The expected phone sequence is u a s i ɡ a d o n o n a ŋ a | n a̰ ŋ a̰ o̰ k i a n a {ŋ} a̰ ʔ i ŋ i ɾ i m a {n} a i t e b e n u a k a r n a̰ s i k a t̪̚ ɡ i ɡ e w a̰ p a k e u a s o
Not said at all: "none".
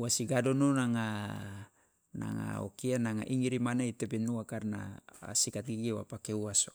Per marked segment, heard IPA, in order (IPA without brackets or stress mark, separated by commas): ŋ, n